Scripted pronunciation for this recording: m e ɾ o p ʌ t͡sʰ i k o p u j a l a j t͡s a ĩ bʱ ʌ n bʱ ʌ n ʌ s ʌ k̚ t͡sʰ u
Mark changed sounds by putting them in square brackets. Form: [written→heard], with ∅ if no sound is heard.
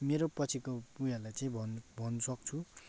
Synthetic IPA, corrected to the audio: m e ɾ o p ʌ t͡sʰ i k o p u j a l a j t͡s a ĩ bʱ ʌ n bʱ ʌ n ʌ s ʌ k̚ t͡sʰ u